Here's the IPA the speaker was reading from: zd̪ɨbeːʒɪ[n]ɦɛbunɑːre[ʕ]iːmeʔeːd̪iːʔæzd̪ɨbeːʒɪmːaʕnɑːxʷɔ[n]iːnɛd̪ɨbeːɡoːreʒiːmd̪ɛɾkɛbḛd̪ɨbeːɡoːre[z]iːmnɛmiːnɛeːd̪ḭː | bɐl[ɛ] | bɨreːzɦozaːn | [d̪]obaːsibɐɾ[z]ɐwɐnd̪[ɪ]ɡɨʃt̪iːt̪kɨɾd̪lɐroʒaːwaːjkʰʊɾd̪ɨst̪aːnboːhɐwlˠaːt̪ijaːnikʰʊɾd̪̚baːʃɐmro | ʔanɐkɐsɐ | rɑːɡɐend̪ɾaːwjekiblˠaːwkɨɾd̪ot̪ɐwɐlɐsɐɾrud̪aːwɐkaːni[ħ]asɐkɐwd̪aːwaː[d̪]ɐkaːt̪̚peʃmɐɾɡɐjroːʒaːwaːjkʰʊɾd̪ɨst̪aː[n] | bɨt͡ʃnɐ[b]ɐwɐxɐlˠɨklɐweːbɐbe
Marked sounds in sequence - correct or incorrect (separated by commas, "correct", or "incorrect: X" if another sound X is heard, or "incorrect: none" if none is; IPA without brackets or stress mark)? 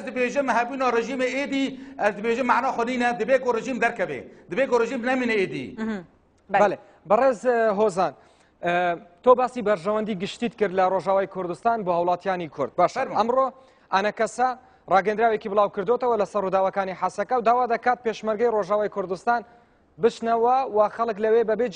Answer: incorrect: m, incorrect: ʒ, correct, incorrect: ʒ, incorrect: e, incorrect: t̪, incorrect: ʒ, incorrect: i, correct, correct, correct, incorrect: w